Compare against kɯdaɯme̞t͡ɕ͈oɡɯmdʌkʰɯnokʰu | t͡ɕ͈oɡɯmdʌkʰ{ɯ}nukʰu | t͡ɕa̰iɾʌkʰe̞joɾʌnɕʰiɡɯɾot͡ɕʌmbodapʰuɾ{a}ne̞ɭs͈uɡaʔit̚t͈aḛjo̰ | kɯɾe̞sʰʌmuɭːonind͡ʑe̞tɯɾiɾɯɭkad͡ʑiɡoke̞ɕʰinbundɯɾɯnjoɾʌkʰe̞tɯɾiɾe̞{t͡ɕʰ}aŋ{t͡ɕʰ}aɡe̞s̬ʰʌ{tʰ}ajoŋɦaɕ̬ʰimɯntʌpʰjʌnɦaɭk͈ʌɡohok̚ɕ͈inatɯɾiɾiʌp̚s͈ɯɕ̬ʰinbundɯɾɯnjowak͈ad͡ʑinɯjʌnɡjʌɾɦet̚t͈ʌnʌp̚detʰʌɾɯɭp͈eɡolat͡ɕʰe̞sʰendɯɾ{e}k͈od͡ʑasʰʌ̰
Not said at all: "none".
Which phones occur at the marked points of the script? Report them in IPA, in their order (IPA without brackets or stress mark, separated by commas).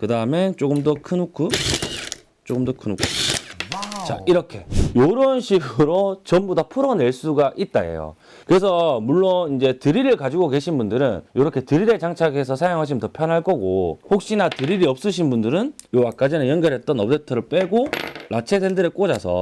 ɯ, ʌ, t͡ɕ, t͡ɕʰ, sʰ, e